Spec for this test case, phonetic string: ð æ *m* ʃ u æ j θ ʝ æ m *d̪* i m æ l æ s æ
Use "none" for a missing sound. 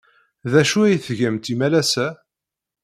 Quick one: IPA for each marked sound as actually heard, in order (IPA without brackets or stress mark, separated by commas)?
none, t̪